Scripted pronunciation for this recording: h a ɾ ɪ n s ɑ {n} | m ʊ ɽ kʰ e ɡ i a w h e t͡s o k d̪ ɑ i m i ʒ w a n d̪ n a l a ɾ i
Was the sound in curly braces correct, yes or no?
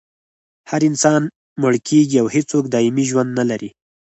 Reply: yes